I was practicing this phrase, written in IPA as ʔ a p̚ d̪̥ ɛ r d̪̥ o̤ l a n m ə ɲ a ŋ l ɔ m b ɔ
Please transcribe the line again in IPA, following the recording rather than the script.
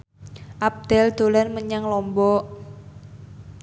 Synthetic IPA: ʔ a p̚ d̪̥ ɛ l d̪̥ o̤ l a n m ə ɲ a ŋ l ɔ m b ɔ